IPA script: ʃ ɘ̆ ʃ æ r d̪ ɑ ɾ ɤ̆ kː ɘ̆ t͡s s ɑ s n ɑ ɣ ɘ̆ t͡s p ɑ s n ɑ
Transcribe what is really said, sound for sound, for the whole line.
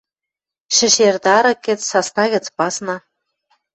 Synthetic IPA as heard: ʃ ɘ̆ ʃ e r d̪ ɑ ɾ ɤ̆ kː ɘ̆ t͡s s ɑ s n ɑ ɣ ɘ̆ t͡s p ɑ s n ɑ

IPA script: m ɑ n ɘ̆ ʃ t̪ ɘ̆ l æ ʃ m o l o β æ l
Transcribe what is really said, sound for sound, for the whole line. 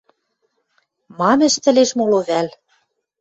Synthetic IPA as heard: m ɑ m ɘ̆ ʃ t̪ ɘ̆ l e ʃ m o l o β æ l

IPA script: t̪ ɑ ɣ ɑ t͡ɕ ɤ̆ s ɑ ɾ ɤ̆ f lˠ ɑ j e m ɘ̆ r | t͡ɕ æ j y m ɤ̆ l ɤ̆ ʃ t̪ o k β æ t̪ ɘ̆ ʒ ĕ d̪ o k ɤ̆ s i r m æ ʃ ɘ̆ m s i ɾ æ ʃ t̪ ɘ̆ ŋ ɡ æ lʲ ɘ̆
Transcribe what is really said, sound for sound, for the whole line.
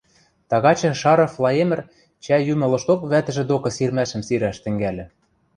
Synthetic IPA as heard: t̪ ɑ ɣ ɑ t͡ɕ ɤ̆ ʃ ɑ ɾ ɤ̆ f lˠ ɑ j e m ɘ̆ r | t͡ɕ æ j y m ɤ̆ l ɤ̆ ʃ t̪ o k β æ t̪ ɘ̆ ʒ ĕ d̪ o k ɤ̆ s i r m æ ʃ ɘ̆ m s i ɾ æ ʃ t̪ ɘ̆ ŋ ɡ æ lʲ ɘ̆

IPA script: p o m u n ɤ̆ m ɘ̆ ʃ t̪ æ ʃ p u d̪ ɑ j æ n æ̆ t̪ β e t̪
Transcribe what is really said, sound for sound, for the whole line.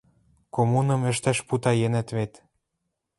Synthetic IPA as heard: k o m u n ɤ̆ m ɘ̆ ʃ t̪ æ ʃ p u t̪ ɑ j e n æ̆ t̪ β e t̪

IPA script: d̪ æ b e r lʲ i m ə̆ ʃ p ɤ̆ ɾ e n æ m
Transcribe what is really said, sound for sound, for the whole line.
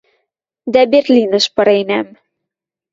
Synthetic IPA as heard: d̪ æ b e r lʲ i n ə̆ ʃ p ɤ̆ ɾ e n æ m

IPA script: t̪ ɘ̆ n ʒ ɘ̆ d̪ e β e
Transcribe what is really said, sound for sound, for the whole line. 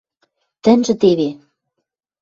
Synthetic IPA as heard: t̪ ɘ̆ n ʒ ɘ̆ t̪ e β e

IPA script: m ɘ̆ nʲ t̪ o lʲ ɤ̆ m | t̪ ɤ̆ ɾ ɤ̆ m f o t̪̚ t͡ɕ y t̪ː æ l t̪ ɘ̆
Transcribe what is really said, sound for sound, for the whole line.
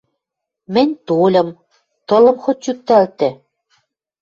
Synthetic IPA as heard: m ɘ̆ nʲ t̪ o lʲ ɤ̆ m | t̪ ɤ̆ l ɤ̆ m x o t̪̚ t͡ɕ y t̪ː æ l t̪ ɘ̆

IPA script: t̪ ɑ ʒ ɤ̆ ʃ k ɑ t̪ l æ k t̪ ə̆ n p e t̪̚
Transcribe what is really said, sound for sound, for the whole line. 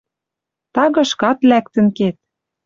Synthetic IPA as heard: t̪ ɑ ɣ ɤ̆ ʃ k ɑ t̪ l æ k t̪ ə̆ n k e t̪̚

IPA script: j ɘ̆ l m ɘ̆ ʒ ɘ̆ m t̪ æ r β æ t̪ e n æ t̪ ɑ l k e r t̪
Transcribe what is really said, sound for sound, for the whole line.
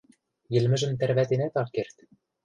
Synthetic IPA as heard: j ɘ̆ l m ɘ̆ ʒ ɘ̆ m t̪ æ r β æ t̪ e n æ t̪ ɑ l k e r t̪

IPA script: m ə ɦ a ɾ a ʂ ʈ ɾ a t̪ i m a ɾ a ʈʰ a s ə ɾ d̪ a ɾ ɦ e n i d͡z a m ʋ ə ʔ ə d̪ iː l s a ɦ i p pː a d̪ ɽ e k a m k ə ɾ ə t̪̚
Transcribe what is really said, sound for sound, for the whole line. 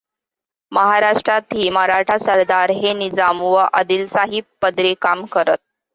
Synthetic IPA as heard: m ə ɦ a ɾ a ʂ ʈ ɾ a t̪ iː m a ɾ a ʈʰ a s ə ɾ d̪ a ɾ ɦ e n i d͡z a m ʋ ə ʔ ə d̪ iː l s a ɦ i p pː ə d̪ ɾ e k a m k ə ɾ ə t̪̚

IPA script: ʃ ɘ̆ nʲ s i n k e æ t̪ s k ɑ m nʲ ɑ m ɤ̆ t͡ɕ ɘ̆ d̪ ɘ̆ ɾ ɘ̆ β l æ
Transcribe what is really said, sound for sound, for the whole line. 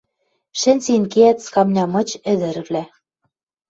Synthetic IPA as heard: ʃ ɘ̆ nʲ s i n k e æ t̪ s k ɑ m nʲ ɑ m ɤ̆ t͡ɕ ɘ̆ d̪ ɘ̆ ɾ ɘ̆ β l æ

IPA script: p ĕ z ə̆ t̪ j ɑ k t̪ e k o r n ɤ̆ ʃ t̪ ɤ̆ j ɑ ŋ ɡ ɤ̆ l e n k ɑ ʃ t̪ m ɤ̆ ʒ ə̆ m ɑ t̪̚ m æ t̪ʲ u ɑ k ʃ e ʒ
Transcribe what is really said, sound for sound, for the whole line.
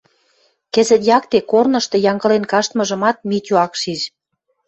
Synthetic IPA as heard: k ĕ z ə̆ t̪ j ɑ k t̪ e k o r n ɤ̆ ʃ t̪ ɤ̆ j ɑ ŋ ɡ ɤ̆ l e n k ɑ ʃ t̪ m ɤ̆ ʒ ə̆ m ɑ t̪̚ m i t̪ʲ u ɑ k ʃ i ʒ

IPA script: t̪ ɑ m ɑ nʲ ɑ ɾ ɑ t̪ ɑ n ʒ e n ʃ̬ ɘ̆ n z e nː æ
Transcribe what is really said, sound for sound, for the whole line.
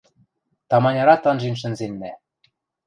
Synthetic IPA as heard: t̪ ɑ m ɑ nʲ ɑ ɾ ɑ t̪ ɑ n ʒ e n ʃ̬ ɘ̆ n z e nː æ

